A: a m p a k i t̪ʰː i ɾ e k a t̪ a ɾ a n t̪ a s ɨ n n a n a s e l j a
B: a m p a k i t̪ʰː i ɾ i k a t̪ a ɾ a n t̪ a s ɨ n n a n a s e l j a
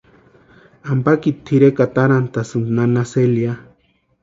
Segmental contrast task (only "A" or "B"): A